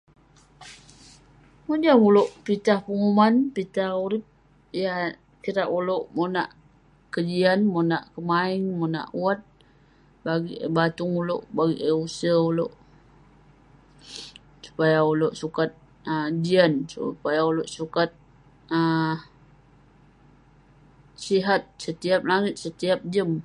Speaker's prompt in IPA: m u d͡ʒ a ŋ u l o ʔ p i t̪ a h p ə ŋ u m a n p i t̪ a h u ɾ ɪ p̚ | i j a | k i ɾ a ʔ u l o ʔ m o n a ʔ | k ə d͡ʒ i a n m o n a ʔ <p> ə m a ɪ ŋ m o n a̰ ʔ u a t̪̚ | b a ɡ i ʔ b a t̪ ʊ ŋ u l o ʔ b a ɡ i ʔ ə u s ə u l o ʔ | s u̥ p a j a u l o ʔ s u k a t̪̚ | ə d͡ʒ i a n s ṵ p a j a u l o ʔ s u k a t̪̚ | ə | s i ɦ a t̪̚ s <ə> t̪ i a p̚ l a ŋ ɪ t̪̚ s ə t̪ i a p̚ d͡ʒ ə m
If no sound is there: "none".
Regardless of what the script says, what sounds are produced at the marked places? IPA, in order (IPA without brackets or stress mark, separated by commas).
k, ə